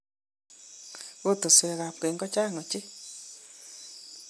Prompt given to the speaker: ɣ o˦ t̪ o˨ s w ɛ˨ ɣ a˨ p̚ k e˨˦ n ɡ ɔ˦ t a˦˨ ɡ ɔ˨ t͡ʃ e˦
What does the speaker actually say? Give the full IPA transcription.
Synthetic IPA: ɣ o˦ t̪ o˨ s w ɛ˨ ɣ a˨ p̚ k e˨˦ ŋ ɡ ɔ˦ t͡ʃ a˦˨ ŋ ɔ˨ t͡ʃ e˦